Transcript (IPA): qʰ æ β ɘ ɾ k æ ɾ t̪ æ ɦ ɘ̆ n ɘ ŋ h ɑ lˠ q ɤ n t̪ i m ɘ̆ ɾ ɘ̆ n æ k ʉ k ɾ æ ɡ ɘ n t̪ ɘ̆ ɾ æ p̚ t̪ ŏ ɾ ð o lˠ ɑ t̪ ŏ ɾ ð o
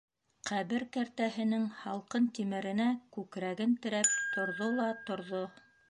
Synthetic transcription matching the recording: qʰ æ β ɘ ɾ k æ ɾ t̪ æ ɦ ɘ̆ n ɘ ŋ h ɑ lˠ q ɤ n t̪ i m ɘ̆ ɾ ɘ̆ n æ k ʉ k ɾ æ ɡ ɘ n t̪ ɘ̆ ɾ æ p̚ t̪ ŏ ɾ ð o lˠ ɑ t̪ ŏ ɾ ð o